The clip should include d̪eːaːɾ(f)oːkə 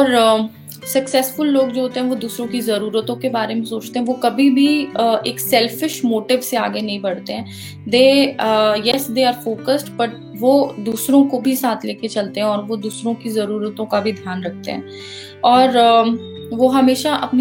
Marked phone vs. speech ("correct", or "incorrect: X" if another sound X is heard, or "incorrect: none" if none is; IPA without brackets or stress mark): correct